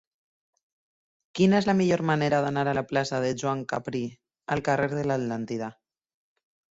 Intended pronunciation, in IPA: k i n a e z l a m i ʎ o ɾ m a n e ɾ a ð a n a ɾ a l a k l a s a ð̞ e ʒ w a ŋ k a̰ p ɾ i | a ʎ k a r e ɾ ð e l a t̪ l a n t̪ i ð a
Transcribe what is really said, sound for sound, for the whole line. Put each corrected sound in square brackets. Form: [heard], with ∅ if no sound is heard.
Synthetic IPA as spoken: k i n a e z l a m i ʎ o ɾ m a n e ɾ a ð a n a ɾ a l a [p] l a s a ð̞ e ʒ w a ŋ k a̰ p ɾ i | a [l] k a r e ɾ ð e l a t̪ l a n t̪ i ð a